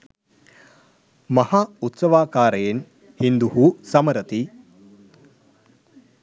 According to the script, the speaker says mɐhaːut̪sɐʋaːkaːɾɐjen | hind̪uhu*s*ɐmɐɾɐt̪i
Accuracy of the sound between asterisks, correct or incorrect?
correct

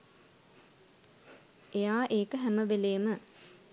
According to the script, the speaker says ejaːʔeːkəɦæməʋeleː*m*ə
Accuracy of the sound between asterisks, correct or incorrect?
correct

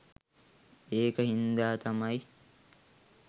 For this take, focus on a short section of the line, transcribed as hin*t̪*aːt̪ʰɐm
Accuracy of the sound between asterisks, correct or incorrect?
incorrect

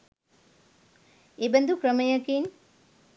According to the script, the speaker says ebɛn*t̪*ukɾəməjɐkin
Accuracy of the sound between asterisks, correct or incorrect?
incorrect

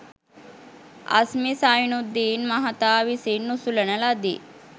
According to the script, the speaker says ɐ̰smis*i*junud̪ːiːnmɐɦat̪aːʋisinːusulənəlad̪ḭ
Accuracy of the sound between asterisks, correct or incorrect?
incorrect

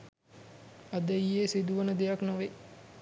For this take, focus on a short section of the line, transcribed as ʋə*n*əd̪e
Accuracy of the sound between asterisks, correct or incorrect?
correct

